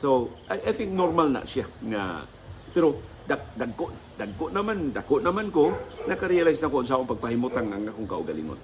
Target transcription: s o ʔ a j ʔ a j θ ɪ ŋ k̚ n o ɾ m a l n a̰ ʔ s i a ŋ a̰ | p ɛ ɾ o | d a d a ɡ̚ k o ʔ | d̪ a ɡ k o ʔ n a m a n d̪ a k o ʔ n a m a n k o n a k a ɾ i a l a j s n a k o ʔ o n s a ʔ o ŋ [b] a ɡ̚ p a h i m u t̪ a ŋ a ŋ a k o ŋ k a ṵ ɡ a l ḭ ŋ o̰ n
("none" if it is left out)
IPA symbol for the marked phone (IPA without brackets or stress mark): p